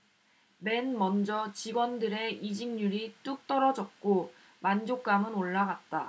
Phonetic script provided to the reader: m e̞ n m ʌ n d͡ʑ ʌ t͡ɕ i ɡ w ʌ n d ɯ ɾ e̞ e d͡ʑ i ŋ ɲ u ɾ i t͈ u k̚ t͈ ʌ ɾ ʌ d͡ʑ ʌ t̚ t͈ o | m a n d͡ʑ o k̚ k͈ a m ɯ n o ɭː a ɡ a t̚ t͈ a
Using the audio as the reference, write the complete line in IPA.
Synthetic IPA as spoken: m e̞ n m ʌ n d͡ʑ ʌ t͡ɕ i ɡ w ʌ n d ɯ ɾ e̞ i d͡ʑ i ŋ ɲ u ɾ i t͈ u k̚ t͈ ʌ ɾ ʌ d͡ʑ ʌ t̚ k͈ o | m a n d͡ʑ o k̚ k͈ a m ɯ n o ɭː a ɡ a t̚ t͈ a

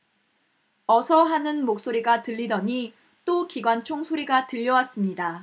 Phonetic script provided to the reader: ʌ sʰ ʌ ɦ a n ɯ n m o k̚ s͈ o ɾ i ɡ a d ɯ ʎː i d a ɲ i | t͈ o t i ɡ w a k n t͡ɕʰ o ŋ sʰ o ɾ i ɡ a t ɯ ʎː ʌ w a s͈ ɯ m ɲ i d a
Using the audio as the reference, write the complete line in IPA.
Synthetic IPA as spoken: ʌ sʰ ʌ ɦ a n ɯ n m o k̚ s͈ o ɾ i ɡ a t ɯ ʎː i d ʌ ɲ i | t͈ o k i ɡ w a n t͡ɕʰ o ŋ sʰ o ɾ i ɡ a t ɯ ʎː ʌ w a s͈ ɯ m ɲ i d a

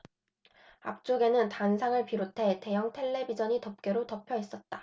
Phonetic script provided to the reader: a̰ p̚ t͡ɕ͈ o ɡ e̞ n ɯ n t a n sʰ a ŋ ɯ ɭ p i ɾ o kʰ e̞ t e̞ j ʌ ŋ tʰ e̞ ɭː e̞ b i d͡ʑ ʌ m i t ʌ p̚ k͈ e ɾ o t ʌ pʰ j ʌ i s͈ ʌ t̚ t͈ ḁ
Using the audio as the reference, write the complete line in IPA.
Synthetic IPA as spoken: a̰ p̚ t͡ɕ͈ o ɡ e̞ n ɯ n t a n sʰ a ŋ ɯ ɭ p i ɾ o tʰ e̞ t e̞ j ʌ ŋ tʰ e̞ ɭː e̞ b i d͡ʑ ʌ ɲ i t ʌ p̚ k͈ e ɾ o t ʌ pʰ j ʌ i s͈ ʌ t̚ t͈ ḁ

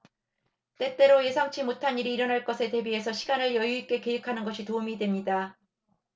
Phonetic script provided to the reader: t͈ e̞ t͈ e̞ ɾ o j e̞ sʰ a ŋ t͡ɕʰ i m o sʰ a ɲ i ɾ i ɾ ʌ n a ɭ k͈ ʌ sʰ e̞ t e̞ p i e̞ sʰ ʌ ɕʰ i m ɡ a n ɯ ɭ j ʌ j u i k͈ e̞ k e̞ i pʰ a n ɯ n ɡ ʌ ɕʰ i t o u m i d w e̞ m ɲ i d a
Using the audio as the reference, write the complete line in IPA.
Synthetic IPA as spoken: t͈ e̞ t͈ e̞ ɾ o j e̞ sʰ a ŋ t͡ɕʰ i m o tʰ a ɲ i ɾ iː ɾ ʌ n a ɭ k͈ ʌ sʰ e̞ t e̞ b i e̞ sʰ ʌ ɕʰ i ɡ a n ɯ ɭ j ʌ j u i k͈ e̞ k e̞ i kʰ a n ɯ n ɡ ʌ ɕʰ i t o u m i d w e̞ m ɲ i d a

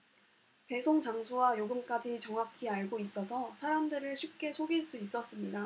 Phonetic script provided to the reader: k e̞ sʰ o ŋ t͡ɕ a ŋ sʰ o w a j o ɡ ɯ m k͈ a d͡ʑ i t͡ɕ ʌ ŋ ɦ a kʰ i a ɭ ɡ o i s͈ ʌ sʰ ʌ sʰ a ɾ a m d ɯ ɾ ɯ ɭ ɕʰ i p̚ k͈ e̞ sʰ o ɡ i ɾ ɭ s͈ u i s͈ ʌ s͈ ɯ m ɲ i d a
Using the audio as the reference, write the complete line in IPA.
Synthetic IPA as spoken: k e̞ sʰ o ŋ t͡ɕ a ŋ sʰ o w a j o ɡ ɯ m k͈ a d͡ʑ i t͡ɕ ʌ ŋ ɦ a kʰ i a ɭ ɡ o i s͈ ʌ sʰ ʌ sʰ a ɾ a m d ɯ ɾ ɯ ɭ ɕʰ i p̚ k͈ e̞ sʰ o ɡ i ɭ s͈ u i s͈ ʌ s͈ ɯ m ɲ i d a

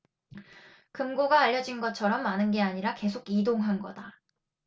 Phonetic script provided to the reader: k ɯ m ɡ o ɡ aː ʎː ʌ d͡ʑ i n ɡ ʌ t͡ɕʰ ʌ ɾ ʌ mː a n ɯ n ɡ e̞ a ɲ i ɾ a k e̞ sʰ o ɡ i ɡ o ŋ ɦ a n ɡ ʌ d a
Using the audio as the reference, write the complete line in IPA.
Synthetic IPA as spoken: k ɯ m ɡ o ɡ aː ʎː ʌ d͡ʑ i n ɡ ʌ t͡ɕʰ ʌ ɾ ʌ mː a n ɯ n ɡ e̞ a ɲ i ɾ a k e̞ sʰ o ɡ i d o ŋ ɦ a n ɡ ʌ d a

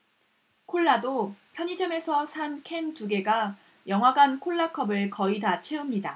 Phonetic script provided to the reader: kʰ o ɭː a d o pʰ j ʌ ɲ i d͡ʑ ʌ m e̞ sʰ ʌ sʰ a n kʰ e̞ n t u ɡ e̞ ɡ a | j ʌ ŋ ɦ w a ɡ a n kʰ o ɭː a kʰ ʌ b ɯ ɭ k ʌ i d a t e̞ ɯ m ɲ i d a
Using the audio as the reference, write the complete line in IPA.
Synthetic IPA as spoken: kʰ o ɭː a d o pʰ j ʌ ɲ i d͡ʑ ʌ m e̞ sʰ ʌ sʰ a n kʰ e̞ n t u ɡ e̞ ɡ a | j ʌ ŋ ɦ w a ɡ a n kʰ o ɭː a kʰ ʌ b ɯ ɭ k ʌ i d a t͡ɕʰ e̞ ɯ m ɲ i d a

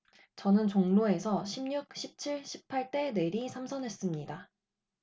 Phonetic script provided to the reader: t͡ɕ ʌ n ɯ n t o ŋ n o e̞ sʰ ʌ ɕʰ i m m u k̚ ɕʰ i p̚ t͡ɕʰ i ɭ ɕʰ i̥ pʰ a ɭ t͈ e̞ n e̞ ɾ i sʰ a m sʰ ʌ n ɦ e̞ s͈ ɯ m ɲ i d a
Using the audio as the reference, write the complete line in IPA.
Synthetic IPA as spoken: t͡ɕ ʌ n ɯ n t͡ɕ o ŋ n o e̞ sʰ ʌ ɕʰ i m ɲ u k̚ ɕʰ i p̚ t͡ɕʰ i ɭ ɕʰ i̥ pʰ a ɭ t͈ e̞ n e̞ ɾ i sʰ a m sʰ ʌ n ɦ e̞ s͈ ɯ m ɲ i d a

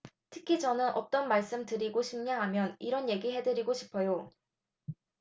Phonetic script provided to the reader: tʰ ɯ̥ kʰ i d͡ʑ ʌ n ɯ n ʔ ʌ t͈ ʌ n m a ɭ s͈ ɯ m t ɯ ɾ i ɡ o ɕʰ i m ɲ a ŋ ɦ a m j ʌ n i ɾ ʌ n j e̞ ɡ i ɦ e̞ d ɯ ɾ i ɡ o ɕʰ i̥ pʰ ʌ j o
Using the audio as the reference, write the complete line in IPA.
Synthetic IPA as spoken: tʰ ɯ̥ kʰ i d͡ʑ ʌ n ɯ n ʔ ʌ t͈ ʌ n m a ɭ s͈ ɯ m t ɯ ɾ i ɡ o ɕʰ i m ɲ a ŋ ɦ a m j ʌ n i ɾ ʌ n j e̞ ɡ i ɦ e̞ d ɯ ɾ i ɡ o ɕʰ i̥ pʰ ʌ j o

